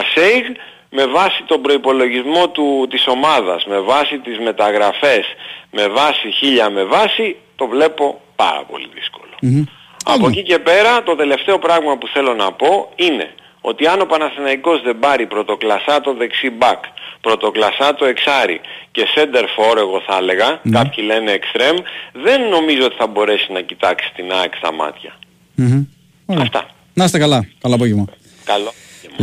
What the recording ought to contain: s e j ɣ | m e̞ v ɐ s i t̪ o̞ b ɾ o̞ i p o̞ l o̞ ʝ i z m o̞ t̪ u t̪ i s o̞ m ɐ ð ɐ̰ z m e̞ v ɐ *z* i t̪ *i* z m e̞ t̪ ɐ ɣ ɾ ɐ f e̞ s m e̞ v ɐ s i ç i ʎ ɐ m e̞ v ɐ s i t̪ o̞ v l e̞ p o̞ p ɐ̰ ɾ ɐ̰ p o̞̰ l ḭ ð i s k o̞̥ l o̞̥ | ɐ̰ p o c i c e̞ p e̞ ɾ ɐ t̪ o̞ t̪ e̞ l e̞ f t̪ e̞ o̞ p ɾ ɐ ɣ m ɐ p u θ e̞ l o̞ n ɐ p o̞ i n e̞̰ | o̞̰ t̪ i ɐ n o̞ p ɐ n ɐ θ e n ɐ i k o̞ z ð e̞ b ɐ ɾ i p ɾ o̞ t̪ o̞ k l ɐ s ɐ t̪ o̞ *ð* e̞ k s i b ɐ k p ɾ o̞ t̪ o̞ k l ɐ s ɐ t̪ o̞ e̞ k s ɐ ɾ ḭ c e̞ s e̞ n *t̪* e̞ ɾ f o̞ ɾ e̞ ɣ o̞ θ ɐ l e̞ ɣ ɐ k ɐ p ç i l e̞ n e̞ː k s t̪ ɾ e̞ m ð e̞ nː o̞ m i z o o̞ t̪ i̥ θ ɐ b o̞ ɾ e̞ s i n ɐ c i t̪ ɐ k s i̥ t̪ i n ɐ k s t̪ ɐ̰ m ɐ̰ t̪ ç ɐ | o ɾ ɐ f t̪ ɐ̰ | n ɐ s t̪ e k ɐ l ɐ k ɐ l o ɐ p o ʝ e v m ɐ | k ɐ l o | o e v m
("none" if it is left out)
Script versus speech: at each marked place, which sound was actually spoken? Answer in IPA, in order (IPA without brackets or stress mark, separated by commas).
s, i, ð, d̪